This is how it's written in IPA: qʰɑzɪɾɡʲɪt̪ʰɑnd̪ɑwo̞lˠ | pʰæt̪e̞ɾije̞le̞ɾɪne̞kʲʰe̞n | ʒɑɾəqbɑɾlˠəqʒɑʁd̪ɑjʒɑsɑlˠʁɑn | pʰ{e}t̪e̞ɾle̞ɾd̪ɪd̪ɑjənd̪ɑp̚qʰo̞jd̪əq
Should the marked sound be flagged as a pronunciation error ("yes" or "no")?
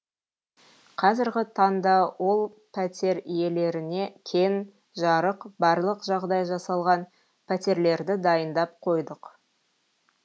yes